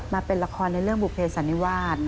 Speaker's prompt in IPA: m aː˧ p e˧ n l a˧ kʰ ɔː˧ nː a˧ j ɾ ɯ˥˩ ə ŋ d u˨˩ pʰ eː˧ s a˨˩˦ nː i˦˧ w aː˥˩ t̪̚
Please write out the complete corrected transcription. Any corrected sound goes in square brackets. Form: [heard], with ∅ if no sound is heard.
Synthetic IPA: m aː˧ p e˧ n l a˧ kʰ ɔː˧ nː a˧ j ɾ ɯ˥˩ ə ŋ [b] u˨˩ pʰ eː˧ s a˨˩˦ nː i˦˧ w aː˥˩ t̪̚